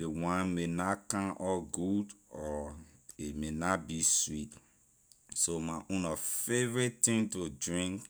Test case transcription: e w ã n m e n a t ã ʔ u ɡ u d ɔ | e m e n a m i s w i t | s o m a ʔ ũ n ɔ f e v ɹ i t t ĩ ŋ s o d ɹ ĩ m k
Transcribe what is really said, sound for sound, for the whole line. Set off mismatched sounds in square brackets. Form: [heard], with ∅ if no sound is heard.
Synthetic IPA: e w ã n m e n a [k] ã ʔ [ɔ] ɡ u d ɔ | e m e n a [b] i s w i t | s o m a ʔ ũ n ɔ f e v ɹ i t t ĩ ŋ [t] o d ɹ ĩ [ŋ] k